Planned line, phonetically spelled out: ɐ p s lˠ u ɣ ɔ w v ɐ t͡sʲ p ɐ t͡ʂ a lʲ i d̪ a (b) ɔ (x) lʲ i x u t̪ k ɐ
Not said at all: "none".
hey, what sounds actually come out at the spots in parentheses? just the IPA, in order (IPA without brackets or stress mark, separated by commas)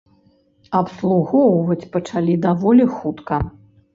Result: v, none